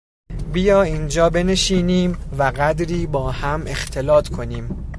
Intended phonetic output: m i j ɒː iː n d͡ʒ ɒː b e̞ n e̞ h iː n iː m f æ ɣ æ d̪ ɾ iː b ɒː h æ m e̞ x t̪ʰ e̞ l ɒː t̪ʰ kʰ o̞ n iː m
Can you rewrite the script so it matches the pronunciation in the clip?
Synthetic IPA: b i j ɒː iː n d͡ʒ ɒː b e̞ n e̞ ʃ iː n iː m v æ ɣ æ d̪ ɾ iː b ɒː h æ m e̞ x t̪ʰ e̞ l ɒː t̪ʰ kʰ o̞ n iː m